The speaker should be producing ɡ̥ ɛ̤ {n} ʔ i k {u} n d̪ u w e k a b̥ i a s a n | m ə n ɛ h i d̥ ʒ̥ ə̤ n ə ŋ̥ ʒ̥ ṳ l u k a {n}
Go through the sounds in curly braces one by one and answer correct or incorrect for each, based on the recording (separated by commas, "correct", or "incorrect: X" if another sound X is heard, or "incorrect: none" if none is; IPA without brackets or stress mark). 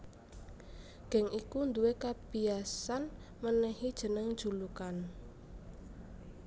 incorrect: ŋ, correct, correct